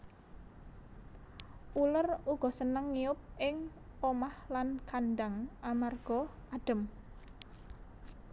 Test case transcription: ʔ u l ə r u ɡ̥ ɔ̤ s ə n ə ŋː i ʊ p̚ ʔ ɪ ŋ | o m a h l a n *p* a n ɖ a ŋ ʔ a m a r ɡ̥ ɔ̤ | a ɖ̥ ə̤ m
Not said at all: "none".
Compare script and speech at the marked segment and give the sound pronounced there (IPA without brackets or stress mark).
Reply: k